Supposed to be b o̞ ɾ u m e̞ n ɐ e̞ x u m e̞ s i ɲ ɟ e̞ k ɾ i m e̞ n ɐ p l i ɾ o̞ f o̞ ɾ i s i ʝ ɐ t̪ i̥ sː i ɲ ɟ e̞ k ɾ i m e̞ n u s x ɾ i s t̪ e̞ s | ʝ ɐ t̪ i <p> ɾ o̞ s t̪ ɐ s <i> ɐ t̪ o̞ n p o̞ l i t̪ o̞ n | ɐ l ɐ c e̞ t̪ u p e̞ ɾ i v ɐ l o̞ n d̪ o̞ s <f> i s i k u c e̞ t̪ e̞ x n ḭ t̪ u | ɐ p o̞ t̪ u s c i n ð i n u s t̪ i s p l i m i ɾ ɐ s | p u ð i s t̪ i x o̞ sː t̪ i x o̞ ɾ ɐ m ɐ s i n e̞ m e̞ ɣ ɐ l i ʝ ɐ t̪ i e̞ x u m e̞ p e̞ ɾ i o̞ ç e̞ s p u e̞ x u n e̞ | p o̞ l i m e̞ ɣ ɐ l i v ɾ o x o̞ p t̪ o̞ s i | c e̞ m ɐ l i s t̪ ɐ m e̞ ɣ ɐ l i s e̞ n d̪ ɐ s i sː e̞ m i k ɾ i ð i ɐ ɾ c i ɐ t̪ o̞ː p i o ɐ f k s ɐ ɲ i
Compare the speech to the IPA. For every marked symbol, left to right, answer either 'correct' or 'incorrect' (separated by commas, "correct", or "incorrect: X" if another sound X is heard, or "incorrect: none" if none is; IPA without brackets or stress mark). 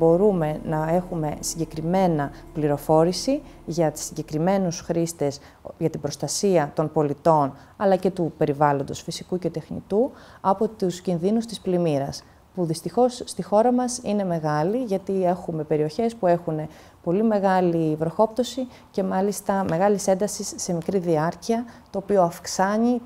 incorrect: b, correct, correct